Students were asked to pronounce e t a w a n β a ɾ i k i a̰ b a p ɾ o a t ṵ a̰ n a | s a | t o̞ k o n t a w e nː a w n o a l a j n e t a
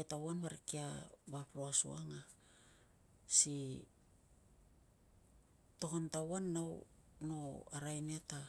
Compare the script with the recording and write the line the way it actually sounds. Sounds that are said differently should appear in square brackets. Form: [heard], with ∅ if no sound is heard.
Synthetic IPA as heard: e t a w a n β a ɾ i k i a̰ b a p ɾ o a [s] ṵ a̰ [ŋ] a | s [i] | t o̞ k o n t a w [a] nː a w n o a [ɾ] a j n e t a